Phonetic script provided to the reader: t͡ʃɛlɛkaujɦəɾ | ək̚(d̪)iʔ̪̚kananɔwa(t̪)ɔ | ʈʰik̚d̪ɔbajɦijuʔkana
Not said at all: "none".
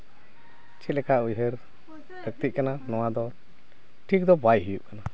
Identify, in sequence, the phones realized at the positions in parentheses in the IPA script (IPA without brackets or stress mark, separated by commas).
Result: t̪, d̪